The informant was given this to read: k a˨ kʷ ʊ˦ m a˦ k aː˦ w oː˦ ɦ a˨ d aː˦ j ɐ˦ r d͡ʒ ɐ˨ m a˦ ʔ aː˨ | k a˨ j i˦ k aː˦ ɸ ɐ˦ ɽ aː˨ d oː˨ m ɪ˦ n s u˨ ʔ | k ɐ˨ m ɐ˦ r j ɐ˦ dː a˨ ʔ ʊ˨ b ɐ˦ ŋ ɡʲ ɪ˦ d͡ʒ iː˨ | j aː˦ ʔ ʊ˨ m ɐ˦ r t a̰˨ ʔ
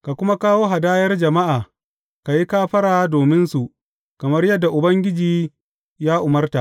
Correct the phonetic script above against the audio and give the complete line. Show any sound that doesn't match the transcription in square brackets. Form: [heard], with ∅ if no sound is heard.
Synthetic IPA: k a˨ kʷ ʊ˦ m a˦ k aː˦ w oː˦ ɦ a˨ d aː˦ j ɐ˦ r d͡ʒ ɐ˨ m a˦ ʔ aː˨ | k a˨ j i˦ k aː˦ ɸ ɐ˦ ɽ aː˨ d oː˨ m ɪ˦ n s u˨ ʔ | k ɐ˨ m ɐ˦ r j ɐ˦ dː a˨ ʔ ʊ˨ b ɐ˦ ŋ ɡʲ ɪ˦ d͡ʒ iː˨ | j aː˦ ʔ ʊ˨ m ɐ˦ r t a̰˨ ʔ